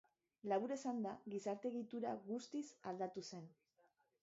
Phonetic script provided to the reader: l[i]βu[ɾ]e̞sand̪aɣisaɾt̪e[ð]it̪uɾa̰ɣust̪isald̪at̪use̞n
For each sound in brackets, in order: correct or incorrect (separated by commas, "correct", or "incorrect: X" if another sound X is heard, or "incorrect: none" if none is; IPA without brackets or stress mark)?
incorrect: a, correct, incorrect: ɣ